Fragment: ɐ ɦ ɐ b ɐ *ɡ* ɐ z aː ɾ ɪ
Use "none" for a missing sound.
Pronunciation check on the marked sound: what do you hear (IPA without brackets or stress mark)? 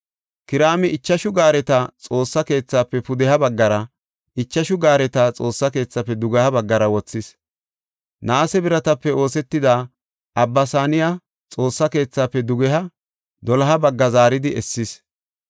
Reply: ɡː